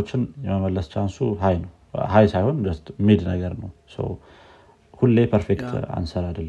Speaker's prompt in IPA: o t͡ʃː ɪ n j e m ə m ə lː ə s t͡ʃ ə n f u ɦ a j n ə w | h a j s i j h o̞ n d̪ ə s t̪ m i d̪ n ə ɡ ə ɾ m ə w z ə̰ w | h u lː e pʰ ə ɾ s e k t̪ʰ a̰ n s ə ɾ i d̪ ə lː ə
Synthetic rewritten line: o t͡ʃː ɪ n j ɛ m ə m ə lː ə s t͡ʃ a n s u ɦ a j n ə w | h a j s a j h o̞ n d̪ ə s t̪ m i d̪ n ə ɡ ə ɾ n ə w s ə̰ w | h u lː e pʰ ə ɾ f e k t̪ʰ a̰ n s ə ɾ a d̪ ə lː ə